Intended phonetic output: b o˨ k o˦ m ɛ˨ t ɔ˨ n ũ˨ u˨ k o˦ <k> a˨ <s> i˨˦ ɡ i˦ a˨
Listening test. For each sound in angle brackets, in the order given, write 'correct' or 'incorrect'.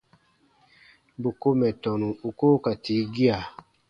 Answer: correct, incorrect: t

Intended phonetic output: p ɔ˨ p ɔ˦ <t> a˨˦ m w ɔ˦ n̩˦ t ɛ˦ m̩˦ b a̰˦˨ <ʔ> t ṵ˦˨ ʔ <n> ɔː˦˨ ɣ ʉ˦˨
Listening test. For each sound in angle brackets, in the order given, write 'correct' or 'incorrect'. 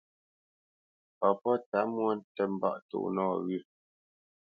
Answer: correct, correct, correct

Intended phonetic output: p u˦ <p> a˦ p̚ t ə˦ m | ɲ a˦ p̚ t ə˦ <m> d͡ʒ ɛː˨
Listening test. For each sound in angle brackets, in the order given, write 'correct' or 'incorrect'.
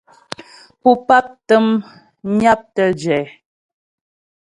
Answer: correct, incorrect: none

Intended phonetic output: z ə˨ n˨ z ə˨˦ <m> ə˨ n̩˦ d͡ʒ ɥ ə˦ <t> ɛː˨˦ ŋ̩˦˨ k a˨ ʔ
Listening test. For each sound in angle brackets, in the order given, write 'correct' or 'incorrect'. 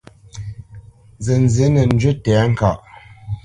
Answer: incorrect: n, correct

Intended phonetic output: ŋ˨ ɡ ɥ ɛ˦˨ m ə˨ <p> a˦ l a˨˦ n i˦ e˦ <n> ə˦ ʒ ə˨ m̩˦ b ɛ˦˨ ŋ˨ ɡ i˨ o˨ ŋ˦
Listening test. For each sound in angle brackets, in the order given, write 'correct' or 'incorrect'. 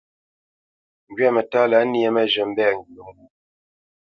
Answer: incorrect: t, incorrect: m

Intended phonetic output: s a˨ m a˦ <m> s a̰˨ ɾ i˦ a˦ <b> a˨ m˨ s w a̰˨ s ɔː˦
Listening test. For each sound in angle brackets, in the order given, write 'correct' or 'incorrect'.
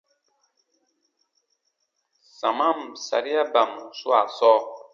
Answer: correct, correct

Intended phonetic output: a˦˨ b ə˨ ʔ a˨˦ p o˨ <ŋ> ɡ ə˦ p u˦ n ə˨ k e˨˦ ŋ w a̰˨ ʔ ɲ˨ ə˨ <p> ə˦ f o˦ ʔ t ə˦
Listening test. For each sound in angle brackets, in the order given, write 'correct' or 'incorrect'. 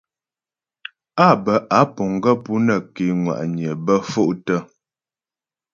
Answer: correct, incorrect: b

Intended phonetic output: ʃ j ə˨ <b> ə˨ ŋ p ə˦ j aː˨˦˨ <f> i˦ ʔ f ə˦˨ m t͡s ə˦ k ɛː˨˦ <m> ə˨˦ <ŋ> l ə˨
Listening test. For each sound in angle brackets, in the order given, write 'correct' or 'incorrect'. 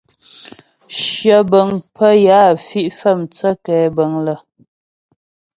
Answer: correct, correct, incorrect: b, correct

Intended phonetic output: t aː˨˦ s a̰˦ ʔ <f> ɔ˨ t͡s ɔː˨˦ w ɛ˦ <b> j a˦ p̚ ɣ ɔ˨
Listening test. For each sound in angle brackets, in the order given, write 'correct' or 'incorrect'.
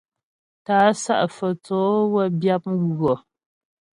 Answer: correct, correct

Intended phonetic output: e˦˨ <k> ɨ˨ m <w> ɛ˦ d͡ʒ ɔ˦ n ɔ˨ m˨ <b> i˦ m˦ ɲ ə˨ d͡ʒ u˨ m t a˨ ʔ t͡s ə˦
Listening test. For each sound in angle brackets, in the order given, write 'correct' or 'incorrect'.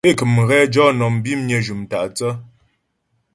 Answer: correct, incorrect: ɣ, correct

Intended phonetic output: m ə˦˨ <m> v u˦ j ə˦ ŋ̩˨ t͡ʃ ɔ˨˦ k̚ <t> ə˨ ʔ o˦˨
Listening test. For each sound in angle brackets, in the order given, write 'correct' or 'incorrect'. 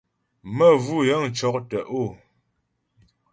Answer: incorrect: none, correct

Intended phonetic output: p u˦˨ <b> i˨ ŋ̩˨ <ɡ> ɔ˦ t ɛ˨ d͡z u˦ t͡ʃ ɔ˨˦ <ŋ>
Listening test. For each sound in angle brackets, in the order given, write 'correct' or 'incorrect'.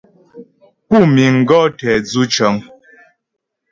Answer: incorrect: m, correct, correct

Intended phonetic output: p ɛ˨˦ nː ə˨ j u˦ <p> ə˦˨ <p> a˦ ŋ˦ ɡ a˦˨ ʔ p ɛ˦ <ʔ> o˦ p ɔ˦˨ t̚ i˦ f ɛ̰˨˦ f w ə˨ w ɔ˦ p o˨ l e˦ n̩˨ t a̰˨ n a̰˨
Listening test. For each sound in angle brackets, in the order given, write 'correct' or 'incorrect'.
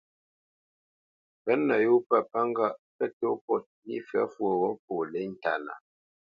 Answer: correct, correct, incorrect: t

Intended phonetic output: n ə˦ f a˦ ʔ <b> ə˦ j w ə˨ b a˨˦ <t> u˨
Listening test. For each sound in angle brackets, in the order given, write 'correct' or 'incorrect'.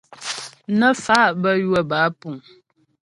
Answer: correct, incorrect: p

